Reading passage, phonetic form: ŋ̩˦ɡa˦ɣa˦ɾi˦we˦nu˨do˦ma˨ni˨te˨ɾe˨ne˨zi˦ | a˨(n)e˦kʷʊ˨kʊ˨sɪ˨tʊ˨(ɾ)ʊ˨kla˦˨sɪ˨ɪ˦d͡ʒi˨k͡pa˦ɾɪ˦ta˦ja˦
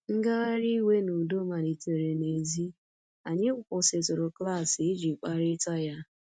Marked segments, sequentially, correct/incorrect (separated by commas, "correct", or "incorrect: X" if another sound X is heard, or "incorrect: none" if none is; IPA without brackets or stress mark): incorrect: ɲ, correct